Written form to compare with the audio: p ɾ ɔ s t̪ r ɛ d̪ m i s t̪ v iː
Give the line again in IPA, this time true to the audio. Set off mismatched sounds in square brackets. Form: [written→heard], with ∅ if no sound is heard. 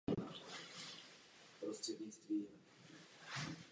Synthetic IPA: p ɾ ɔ s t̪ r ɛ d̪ [m→ɲ] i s t̪ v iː